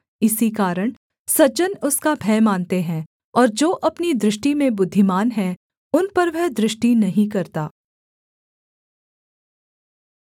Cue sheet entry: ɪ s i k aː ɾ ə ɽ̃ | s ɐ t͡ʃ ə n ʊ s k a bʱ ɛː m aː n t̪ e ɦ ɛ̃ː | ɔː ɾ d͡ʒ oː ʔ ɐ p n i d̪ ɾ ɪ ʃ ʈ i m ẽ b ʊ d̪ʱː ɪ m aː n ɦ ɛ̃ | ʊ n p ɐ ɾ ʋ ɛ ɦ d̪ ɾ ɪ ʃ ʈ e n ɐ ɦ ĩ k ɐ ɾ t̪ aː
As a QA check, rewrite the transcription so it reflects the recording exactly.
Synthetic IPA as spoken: ɪ s i k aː ɾ ə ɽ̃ | s ɐ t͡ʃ ə n ʊ s k a bʱ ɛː m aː n t̪ e ɦ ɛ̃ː | ɔː ɾ d͡ʒ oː ʔ ɐ p n i d̪ ɾ ɪ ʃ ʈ i m ẽ b ʊ d̪ʱː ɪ m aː n ɦ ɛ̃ | ʊ n p ɐ ɾ ʋ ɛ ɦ d̪ ɾ ɪ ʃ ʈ i n ɐ ɦ ĩ k ɐ ɾ t̪ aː